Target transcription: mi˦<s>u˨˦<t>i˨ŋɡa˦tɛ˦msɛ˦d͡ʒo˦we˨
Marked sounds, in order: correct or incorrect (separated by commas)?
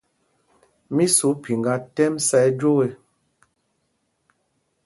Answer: correct, incorrect